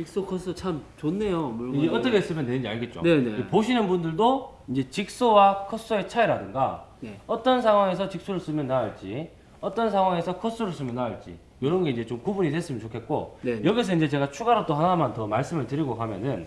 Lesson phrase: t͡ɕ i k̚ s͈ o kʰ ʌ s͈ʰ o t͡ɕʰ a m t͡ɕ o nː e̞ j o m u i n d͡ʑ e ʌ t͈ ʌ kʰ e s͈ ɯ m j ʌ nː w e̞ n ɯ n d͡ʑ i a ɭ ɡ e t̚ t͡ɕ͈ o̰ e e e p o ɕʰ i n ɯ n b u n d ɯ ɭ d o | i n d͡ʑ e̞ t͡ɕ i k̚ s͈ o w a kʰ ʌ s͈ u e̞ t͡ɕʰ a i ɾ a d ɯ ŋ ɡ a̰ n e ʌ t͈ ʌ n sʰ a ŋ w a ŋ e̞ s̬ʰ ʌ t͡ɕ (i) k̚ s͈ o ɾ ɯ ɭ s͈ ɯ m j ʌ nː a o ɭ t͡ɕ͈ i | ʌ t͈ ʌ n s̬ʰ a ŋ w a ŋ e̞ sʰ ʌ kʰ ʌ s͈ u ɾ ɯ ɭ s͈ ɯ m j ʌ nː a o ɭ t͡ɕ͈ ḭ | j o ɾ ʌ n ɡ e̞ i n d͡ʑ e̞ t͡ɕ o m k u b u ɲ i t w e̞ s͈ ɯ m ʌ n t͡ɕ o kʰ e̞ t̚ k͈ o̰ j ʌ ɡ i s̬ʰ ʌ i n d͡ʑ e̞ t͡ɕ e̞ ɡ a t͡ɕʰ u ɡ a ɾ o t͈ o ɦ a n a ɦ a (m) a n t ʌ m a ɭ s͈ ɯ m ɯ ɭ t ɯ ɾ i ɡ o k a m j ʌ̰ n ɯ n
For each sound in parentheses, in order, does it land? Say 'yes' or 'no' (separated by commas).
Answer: yes, yes